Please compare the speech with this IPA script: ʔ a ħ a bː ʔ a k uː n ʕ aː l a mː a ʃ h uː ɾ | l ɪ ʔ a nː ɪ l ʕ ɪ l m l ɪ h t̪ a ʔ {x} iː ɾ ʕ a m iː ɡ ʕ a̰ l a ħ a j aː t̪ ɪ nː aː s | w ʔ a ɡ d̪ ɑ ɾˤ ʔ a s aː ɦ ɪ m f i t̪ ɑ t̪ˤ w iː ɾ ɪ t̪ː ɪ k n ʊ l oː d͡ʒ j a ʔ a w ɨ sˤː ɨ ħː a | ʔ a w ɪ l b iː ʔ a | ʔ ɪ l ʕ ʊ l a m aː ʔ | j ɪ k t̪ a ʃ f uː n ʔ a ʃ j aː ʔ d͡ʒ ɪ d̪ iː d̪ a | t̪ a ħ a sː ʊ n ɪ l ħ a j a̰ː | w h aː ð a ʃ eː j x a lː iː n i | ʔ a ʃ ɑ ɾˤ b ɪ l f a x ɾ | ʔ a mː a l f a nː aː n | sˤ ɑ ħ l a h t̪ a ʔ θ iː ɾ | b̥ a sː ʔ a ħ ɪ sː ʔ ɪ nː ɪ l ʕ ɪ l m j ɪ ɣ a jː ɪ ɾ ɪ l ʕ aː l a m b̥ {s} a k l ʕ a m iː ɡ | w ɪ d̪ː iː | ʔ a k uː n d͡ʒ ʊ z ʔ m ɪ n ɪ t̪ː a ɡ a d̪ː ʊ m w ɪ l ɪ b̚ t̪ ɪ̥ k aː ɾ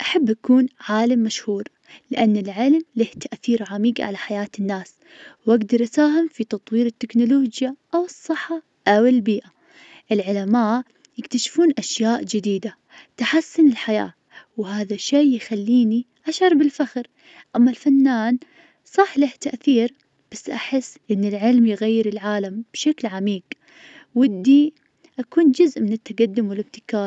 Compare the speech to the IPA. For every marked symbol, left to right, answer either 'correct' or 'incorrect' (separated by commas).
incorrect, incorrect